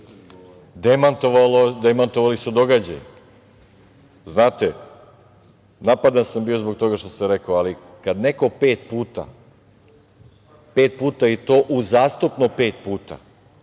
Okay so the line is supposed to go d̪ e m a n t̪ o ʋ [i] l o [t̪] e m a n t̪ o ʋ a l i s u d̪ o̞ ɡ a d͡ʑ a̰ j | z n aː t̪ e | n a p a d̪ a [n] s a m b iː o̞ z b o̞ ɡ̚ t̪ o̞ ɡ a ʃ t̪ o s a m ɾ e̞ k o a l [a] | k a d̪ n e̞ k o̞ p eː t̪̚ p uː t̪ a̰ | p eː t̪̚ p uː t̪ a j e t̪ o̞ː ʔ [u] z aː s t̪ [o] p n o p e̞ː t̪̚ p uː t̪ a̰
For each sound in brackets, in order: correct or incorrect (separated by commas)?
incorrect, incorrect, correct, incorrect, correct, incorrect